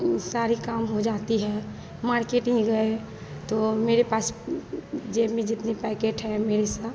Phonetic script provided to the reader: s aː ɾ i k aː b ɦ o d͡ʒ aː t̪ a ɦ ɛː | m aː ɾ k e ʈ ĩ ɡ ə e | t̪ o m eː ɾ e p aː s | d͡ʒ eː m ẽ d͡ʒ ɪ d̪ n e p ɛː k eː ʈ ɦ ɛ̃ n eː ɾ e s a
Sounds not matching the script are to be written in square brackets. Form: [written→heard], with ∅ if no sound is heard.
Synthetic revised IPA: s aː ɾ i k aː [b→m] ɦ o d͡ʒ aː t̪ [a→i] ɦ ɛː | m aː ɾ k e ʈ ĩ ɡ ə e | t̪ o m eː ɾ e p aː s | d͡ʒ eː m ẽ d͡ʒ ɪ [d̪→t̪] n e p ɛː k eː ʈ ɦ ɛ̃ [n→m] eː ɾ e s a